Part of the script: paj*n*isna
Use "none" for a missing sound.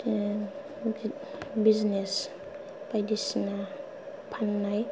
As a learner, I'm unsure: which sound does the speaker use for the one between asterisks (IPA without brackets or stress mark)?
d